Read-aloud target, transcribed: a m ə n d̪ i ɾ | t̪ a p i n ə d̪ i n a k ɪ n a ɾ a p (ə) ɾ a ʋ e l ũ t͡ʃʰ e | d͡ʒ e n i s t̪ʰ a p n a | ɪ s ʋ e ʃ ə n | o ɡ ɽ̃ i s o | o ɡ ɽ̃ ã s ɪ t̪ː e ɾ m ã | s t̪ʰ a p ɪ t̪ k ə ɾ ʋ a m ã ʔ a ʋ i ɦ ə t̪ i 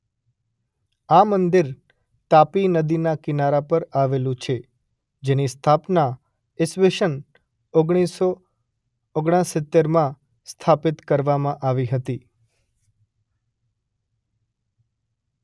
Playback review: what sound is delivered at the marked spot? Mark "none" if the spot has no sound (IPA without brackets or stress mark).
ə